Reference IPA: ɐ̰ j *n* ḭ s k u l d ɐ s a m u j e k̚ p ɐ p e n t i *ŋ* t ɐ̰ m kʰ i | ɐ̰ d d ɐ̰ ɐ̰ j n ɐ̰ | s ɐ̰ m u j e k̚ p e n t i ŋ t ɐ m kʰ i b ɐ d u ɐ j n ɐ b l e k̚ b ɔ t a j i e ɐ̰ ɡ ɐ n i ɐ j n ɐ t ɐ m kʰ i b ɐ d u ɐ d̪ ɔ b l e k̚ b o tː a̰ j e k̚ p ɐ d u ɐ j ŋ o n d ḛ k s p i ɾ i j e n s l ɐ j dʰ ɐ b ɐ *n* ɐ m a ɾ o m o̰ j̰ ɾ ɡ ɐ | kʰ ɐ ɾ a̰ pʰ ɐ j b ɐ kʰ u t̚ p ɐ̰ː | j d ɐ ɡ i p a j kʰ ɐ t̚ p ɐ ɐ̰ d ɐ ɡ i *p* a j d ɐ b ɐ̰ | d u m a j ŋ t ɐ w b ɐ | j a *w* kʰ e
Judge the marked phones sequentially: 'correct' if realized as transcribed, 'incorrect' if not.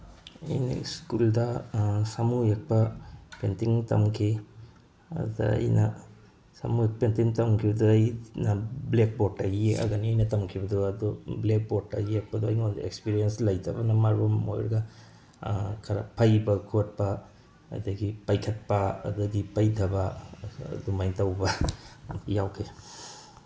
correct, correct, correct, correct, correct

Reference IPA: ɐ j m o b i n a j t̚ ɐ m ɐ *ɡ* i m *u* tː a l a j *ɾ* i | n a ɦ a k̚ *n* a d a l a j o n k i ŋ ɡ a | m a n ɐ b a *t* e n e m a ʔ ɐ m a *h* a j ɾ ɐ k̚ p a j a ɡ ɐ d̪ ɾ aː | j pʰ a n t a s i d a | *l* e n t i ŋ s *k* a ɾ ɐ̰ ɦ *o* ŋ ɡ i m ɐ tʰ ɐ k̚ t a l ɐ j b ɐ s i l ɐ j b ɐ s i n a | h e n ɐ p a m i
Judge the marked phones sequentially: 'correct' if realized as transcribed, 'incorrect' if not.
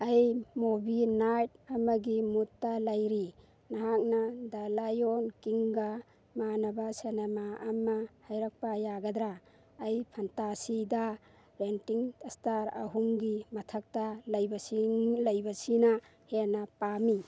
correct, correct, correct, correct, incorrect: s, correct, incorrect: ɾ, incorrect: t, incorrect: u

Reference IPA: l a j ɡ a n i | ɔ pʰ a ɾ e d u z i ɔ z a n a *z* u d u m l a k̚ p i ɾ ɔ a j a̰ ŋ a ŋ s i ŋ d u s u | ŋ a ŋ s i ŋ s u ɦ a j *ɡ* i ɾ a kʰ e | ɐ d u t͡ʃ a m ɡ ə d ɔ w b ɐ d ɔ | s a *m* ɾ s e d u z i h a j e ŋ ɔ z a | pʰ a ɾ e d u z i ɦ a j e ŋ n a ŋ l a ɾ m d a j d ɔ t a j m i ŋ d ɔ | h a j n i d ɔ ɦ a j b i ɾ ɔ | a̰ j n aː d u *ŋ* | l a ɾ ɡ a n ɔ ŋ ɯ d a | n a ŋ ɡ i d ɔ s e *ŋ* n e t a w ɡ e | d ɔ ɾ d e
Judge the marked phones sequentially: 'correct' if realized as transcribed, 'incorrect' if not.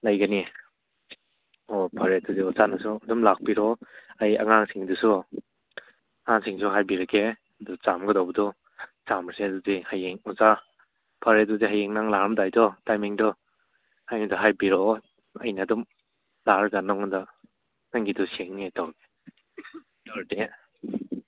incorrect: s, incorrect: b, correct, incorrect: m, correct

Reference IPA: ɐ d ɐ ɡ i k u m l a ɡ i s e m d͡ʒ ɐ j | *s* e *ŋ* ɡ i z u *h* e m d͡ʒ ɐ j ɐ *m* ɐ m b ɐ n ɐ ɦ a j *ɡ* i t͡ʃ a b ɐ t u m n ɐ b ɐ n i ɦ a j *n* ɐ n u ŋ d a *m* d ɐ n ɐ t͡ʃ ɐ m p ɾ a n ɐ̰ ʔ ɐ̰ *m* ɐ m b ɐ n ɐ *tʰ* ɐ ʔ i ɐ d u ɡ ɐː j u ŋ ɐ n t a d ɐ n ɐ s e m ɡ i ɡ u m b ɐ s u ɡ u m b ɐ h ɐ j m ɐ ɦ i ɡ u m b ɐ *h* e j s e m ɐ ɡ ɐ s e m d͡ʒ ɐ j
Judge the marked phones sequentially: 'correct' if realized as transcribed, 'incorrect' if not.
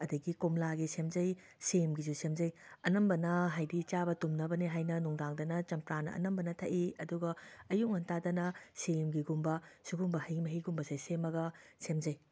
correct, incorrect: m, incorrect: s, incorrect: n, incorrect: d, correct, incorrect: ŋ, incorrect: n, correct, incorrect: s

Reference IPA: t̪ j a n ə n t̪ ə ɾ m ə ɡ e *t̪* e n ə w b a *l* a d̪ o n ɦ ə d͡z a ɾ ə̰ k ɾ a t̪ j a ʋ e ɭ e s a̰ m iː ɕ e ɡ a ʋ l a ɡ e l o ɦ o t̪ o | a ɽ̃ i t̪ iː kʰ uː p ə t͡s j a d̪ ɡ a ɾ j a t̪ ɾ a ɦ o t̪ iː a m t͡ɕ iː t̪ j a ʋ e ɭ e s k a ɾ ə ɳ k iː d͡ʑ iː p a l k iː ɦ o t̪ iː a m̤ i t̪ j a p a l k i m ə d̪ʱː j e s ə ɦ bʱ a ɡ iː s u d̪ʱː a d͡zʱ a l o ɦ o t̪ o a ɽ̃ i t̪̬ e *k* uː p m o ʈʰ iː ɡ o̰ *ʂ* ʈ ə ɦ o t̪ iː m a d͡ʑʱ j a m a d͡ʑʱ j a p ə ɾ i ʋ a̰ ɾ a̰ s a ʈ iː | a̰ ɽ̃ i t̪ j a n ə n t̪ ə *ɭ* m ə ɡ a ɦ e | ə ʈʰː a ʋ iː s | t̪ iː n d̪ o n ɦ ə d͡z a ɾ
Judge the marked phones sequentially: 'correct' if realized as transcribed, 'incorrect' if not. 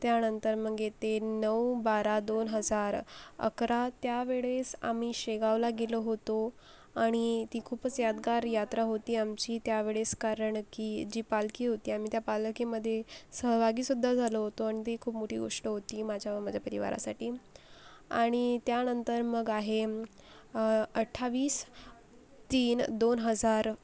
correct, incorrect: ɾ, incorrect: kʰ, correct, incorrect: ɾ

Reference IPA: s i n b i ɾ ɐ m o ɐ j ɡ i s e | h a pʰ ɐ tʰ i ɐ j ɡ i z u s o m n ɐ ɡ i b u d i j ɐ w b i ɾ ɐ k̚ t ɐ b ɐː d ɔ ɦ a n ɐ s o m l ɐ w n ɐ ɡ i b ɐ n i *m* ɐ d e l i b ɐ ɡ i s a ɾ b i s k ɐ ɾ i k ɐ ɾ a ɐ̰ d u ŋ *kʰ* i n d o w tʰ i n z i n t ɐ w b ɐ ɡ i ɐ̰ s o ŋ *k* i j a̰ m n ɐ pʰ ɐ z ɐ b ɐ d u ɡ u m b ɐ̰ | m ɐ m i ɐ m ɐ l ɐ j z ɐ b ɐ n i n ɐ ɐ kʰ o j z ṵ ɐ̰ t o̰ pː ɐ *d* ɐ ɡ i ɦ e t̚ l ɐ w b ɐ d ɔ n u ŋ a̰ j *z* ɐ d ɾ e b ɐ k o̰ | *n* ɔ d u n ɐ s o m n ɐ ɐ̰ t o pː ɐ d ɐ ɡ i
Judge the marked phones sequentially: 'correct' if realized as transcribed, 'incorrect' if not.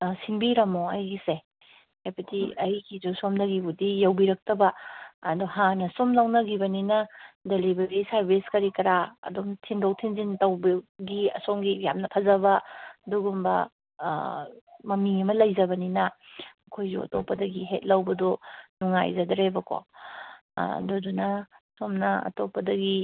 incorrect: n, incorrect: tʰ, incorrect: ɡ, correct, correct, incorrect: d

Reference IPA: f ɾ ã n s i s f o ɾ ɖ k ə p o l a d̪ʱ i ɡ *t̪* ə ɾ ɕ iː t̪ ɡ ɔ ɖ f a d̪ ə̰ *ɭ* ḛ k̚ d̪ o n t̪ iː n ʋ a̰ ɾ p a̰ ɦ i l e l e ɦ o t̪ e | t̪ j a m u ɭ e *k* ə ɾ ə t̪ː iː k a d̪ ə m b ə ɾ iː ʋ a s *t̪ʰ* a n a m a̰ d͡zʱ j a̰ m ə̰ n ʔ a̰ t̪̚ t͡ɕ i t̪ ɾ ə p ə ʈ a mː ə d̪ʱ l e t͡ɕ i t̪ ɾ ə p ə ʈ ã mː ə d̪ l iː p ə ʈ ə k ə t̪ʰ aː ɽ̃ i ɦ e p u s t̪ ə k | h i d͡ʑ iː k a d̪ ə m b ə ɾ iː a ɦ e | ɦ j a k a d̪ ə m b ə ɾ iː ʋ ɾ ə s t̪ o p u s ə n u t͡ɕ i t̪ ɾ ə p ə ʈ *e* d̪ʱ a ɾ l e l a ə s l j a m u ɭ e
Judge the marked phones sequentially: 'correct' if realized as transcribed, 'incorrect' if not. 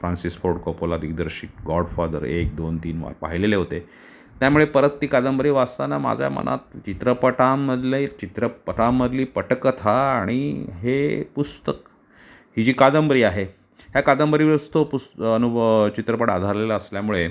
incorrect: d̪, incorrect: ɾ, incorrect: p, incorrect: t̪, incorrect: a

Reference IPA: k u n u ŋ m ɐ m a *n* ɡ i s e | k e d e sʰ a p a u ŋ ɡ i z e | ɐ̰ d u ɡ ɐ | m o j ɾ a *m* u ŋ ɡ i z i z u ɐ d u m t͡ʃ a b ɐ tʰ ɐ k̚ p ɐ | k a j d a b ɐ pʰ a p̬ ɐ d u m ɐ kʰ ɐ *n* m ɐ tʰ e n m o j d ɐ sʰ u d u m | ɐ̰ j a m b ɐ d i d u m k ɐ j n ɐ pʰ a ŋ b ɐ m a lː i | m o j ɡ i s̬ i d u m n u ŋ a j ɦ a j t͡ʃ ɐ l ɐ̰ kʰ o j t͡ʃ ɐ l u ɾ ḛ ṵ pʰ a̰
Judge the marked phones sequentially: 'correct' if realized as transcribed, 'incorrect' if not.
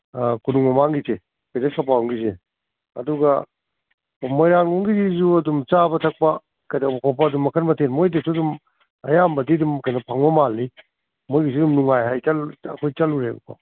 incorrect: ŋ, incorrect: ŋ, correct

